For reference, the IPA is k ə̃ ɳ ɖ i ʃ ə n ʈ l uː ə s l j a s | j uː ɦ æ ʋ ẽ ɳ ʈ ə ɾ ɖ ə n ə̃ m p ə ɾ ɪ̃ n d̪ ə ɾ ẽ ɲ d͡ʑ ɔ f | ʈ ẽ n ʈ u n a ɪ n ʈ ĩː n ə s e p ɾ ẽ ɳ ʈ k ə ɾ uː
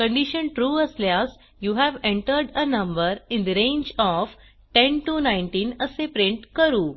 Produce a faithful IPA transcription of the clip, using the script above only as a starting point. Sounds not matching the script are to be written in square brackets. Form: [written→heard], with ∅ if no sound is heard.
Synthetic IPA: k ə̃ ɳ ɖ i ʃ ə n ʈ [l→ɾ] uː ə s l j a s | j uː ɦ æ ʋ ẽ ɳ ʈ ə ɾ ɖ ə n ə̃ m [p→b] ə ɾ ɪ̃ n d̪ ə ɾ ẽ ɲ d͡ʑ ɔ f | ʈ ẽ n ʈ u n a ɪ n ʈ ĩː n ə s e p ɾ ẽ ɳ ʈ k ə ɾ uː

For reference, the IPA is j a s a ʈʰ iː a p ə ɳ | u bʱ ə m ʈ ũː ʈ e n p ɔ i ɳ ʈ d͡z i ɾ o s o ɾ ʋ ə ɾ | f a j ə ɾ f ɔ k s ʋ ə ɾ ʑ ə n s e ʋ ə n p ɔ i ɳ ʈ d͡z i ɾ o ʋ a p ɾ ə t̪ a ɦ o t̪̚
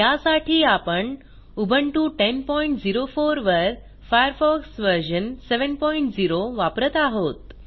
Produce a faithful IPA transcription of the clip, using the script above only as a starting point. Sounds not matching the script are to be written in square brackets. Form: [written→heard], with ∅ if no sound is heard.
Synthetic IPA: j a s a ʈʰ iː a p ə ɳ | u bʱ ə [m→ɳ] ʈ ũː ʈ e n p ɔ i ɳ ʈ d͡z i ɾ o [s→f] o ɾ ʋ ə ɾ | f a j ə ɾ f ɔ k s ʋ ə ɾ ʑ ə n s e ʋ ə n p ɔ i ɳ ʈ d͡z i ɾ o ʋ a p ɾ ə t̪ a ɦ o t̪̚

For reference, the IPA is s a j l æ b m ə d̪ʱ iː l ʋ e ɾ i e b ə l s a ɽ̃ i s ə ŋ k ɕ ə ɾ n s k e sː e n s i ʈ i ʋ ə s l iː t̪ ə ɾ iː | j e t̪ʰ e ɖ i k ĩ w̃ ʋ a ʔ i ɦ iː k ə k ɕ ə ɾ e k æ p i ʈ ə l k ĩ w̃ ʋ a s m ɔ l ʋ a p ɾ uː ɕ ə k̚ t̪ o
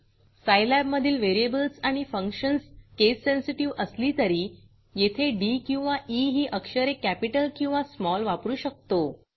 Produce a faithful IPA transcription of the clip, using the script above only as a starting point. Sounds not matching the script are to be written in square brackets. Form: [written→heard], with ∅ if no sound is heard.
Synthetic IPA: s a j l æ b m ə d̪ʱ iː l ʋ e ɾ i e b ə l s a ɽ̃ i [s→f] ə ŋ k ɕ ə [ɾ→∅] n s k e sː e n s i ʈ i ʋ ə s l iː t̪ ə ɾ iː | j e t̪ʰ e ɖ i k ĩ w̃ ʋ a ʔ i ɦ iː [k→ʔ] ə k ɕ ə ɾ e k æ p i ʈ ə l k ĩ w̃ ʋ a s m ɔ l ʋ a p ɾ uː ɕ ə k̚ t̪ o

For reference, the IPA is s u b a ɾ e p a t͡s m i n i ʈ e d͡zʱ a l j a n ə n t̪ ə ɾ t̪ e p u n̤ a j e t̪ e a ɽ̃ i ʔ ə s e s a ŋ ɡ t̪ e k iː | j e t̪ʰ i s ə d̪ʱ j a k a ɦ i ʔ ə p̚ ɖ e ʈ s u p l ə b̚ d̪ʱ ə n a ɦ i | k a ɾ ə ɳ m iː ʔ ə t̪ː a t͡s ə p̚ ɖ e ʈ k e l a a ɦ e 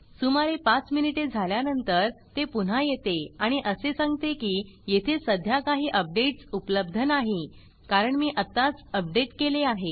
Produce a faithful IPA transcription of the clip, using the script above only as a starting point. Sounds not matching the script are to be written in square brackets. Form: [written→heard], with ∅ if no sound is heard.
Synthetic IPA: s u [b→m] a ɾ e p a t͡s m i n i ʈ e d͡zʱ a l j a n ə n t̪ ə ɾ t̪ e p u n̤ a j e t̪ e a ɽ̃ i ʔ ə s e s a ŋ ɡ t̪ e k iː | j e t̪ʰ [i→e] s ə d̪ʱ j a k a ɦ [i→iː] ʔ ə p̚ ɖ e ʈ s u p l ə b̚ d̪ʱ ə n a ɦ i | k a ɾ ə ɳ m iː ʔ ə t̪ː a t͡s ə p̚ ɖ e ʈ k e l [a→e] a ɦ e

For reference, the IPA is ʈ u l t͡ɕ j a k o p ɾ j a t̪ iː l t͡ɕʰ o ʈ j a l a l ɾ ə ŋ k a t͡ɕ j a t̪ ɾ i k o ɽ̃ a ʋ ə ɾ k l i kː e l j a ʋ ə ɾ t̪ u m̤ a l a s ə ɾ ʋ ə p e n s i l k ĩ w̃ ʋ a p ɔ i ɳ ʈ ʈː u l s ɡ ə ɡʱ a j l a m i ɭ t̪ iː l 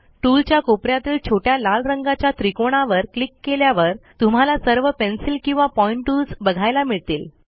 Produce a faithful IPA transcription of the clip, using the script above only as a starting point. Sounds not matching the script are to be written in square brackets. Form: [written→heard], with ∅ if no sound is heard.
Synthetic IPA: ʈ u l t͡ɕ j a k o p ɾ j a t̪ iː l t͡ɕʰ o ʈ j a l a l ɾ ə ŋ [k→ɡ] a t͡ɕ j a t̪ ɾ i k o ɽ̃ a ʋ ə ɾ k l i kː e l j a ʋ ə ɾ t̪ u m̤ a l a s ə ɾ ʋ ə p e n s i l k ĩ w̃ ʋ a p ɔ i ɳ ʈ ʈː u l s [ɡ→b] ə ɡʱ a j l a m i ɭ t̪ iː l

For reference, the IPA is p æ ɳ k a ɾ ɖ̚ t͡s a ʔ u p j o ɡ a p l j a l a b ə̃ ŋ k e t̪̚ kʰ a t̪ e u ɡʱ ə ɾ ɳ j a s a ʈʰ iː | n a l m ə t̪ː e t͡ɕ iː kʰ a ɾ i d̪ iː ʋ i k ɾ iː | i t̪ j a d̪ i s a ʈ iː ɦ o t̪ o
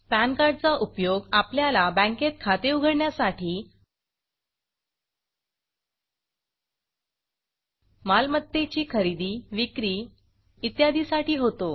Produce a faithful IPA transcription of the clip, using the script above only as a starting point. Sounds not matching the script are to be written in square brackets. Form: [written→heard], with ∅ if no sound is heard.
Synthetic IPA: p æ [ɳ→n] k a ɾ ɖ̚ t͡s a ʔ u p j o ɡ a p l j a l a b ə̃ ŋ k e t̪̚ kʰ a t̪ e u ɡʱ ə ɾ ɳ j a s a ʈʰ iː | [n→m] a l m ə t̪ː e t͡ɕ iː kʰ [a→ə] ɾ i d̪ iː ʋ i k ɾ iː | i t̪ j a d̪ i s a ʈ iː ɦ o t̪ o

